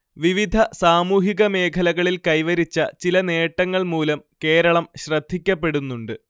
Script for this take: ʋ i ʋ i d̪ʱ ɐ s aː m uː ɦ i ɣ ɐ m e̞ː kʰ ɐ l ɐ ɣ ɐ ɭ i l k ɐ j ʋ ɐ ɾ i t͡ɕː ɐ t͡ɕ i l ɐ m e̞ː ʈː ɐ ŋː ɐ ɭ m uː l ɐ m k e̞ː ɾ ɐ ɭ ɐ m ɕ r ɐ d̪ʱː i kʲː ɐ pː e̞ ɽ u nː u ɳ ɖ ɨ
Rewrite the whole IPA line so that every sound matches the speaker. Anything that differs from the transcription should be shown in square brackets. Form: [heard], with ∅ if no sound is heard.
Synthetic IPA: ʋ i ʋ i d̪ʱ ɐ s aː m uː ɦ i ɣ ɐ m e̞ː kʰ ɐ l ɐ ɣ ɐ ɭ i l k ɐ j ʋ ɐ ɾ i t͡ɕː ɐ t͡ɕ i l ɐ [n] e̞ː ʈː ɐ ŋː ɐ ɭ m uː l ɐ m k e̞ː ɾ ɐ ɭ ɐ m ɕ r ɐ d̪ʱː i kʲː ɐ pː e̞ ɽ u nː u ɳ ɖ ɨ